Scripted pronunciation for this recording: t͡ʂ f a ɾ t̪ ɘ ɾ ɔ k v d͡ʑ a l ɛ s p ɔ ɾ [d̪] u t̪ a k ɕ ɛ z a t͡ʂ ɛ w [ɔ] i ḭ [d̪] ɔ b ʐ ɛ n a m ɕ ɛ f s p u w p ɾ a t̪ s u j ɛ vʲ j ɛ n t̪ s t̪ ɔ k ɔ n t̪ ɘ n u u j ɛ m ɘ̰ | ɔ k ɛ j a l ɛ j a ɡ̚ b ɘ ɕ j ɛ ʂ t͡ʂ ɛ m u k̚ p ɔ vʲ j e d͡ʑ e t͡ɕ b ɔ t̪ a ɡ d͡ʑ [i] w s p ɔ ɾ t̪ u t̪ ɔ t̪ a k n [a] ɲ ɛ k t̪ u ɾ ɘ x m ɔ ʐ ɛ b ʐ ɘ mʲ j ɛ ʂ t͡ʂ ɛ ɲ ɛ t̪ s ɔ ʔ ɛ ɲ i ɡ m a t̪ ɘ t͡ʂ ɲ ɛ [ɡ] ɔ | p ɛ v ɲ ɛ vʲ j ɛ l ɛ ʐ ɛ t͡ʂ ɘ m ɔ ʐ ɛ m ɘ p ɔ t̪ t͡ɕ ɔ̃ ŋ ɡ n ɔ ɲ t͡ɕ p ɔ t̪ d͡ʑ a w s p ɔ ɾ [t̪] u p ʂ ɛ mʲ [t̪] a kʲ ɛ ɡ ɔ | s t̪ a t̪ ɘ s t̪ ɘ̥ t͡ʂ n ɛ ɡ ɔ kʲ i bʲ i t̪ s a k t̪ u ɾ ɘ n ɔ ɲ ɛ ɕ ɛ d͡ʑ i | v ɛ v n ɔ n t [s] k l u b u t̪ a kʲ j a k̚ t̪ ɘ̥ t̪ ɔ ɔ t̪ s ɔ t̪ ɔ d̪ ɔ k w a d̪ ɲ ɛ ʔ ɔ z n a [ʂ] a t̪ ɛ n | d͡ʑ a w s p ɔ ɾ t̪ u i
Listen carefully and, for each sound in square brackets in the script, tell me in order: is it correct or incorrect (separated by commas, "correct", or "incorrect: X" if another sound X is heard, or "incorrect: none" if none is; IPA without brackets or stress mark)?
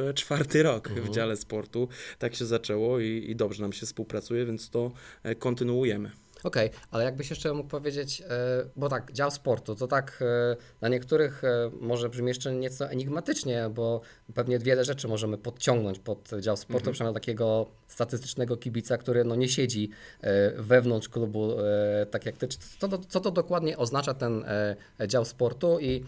incorrect: t̪, correct, correct, incorrect: a, correct, incorrect: b, correct, correct, incorrect: ʂ, incorrect: t͡ʂ